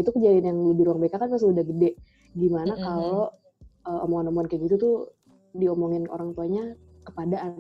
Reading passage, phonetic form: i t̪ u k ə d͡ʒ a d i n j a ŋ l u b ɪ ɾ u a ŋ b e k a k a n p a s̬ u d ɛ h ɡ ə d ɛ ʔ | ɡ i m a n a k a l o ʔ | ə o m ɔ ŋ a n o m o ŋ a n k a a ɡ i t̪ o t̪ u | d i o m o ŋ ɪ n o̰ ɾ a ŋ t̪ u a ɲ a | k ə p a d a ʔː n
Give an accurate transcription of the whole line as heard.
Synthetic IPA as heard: i t̪ u k ə d͡ʒ a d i n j a ŋ l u b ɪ ɾ u a ŋ b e k a k a n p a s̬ u d a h ɡ ə d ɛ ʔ | ɡ i m a n a k a l o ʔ | ə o m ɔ ŋ a n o m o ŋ a n k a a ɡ i t̪ u t̪ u | d i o m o ŋ ɪ n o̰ ɾ a ŋ t̪ u a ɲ a | k ə p a d a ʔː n